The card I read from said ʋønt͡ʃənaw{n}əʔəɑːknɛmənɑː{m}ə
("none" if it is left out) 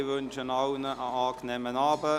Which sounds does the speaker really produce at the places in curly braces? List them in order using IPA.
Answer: n, b

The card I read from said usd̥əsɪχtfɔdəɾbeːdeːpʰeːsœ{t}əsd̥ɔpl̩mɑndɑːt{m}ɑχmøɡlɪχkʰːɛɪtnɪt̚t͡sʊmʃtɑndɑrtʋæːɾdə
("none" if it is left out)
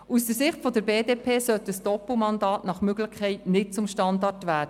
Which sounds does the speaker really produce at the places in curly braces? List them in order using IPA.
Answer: t, n

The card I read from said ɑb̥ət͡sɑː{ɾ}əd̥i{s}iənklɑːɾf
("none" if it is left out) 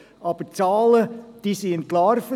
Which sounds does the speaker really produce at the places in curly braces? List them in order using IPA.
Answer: l, s

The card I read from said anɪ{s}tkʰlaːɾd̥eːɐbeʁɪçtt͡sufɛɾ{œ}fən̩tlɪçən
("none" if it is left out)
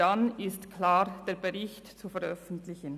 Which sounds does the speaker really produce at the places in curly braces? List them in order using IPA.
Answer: s, œ

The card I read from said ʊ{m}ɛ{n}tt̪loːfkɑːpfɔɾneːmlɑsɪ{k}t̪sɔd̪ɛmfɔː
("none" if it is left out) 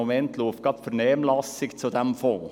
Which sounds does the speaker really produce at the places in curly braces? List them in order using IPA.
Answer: m, n, k

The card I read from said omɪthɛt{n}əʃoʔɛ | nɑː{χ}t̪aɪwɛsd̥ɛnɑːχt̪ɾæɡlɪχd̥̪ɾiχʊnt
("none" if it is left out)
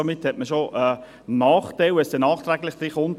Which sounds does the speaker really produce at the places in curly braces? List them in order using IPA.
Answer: m, χ

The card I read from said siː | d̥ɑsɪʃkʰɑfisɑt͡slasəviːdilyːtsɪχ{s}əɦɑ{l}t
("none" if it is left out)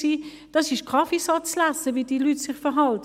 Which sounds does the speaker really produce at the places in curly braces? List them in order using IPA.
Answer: f, l

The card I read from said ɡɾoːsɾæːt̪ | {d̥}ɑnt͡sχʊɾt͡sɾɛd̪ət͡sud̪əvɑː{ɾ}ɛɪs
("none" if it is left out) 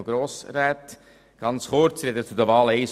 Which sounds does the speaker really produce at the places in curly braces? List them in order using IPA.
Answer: ɡ̥, l

